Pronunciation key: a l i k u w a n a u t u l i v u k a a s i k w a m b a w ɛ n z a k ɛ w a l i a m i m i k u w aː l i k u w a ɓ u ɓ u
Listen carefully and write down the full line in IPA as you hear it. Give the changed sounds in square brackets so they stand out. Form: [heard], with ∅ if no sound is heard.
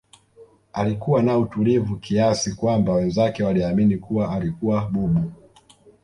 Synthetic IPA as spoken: a l i k u w a n a u t u l i v u k [i] a s i k w a m b a w ɛ n z a k ɛ w a l i a m i [n] i k u w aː l i k u w a ɓ u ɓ u